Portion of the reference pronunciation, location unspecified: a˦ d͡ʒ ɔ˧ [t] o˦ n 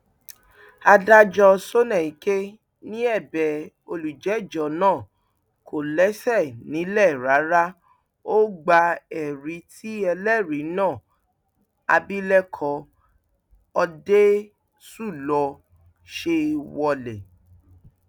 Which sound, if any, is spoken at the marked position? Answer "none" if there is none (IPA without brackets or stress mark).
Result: s